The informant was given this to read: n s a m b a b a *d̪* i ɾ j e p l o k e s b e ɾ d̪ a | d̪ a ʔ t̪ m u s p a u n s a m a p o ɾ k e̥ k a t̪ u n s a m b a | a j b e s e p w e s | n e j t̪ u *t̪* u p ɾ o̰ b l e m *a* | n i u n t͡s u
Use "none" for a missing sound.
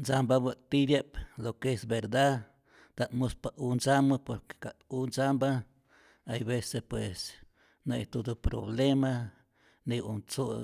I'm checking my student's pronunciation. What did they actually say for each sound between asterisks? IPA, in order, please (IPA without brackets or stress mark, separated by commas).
t̪, d̪, a